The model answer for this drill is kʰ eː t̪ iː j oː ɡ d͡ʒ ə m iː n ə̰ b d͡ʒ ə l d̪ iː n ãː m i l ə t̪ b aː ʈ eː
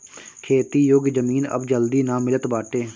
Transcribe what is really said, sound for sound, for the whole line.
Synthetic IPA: kʰ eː t̪ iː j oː ɡ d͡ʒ ə m iː n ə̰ b d͡ʒ ə l d̪ iː n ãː m ɪ l ə t̪ b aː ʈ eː